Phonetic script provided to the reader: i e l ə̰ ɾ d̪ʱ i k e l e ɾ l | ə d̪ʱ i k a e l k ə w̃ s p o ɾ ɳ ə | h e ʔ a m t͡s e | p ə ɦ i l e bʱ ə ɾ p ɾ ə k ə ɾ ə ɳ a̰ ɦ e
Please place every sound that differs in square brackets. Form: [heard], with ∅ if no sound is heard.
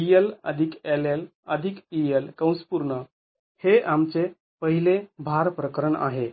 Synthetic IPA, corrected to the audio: i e l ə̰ [∅] d̪ʱ i k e l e [∅] l | ə d̪ʱ i k [i] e l k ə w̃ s p [u] ɾ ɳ ə | h e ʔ a m t͡s e | p ə ɦ i l e bʱ [a] ɾ p ɾ ə k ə ɾ ə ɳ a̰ ɦ e